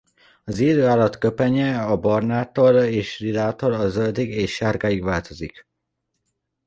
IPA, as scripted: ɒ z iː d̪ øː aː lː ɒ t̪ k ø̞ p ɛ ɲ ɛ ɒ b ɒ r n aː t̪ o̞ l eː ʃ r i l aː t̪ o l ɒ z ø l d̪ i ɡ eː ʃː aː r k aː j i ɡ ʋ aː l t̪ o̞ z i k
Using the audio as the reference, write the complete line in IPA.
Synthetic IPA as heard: ɒ z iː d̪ øː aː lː ɒ t̪ k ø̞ p ɛ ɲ ɛ ɒ b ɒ r n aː t̪ o̞ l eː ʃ r i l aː t̪ o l ɒ z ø l d̪ i ɡ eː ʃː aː r ɡ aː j i ɡ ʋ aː l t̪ o̞ z i k